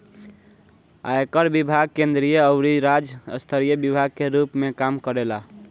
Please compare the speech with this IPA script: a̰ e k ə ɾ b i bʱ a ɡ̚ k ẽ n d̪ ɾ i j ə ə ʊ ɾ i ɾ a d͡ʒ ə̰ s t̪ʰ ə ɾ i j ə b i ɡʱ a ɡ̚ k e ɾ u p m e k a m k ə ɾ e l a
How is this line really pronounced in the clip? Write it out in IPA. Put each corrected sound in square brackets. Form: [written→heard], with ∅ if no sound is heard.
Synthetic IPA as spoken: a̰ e k ə ɾ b i bʱ a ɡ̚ k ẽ n d̪ ɾ i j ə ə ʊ ɾ i ɾ a d͡ʒ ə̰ s t̪ʰ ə ɾ i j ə b i [ɡʱ→bʱ] a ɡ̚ k e ɾ u p m e k a m k ə ɾ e l a